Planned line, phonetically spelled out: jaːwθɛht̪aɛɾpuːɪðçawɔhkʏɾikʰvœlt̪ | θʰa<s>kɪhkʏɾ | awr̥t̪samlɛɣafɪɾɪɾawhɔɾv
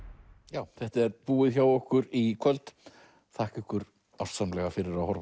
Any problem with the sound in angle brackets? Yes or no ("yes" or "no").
yes